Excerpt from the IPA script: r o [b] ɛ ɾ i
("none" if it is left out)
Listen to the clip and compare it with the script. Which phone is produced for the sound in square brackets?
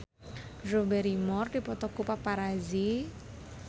b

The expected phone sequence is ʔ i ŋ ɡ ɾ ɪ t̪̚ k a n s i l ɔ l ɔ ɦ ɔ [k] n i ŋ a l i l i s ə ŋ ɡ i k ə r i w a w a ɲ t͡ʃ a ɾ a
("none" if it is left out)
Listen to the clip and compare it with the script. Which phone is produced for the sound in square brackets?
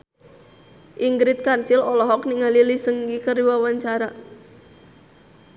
k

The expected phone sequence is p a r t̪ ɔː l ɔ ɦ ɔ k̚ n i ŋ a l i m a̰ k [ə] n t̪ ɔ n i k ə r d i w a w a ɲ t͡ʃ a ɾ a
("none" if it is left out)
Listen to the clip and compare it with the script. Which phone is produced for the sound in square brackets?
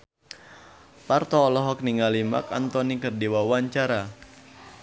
a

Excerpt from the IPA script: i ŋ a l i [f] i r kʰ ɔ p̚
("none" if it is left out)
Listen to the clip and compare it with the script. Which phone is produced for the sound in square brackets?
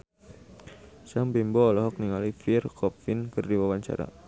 f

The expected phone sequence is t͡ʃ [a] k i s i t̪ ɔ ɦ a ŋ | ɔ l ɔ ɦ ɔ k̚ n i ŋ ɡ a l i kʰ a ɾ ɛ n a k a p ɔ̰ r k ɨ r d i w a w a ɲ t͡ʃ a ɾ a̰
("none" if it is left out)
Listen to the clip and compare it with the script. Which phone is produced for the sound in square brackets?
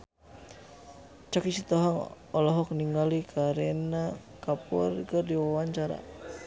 a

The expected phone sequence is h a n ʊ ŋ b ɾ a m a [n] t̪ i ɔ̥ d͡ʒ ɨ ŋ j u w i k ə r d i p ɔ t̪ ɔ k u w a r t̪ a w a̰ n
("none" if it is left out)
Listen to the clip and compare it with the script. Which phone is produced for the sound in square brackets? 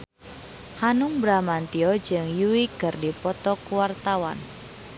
n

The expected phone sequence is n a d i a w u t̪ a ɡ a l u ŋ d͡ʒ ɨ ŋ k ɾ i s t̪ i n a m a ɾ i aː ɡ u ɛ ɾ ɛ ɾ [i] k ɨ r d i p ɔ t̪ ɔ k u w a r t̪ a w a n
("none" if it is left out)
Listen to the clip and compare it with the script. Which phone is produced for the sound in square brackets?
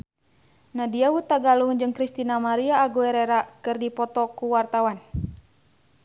a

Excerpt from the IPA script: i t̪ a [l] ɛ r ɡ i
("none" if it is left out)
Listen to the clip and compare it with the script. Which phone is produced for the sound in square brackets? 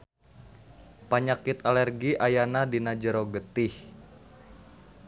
l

